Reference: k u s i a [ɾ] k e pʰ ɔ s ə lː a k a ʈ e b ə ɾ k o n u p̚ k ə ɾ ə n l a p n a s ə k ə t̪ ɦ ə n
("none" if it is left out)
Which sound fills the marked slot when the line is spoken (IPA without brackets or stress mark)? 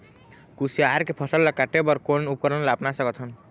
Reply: ɾ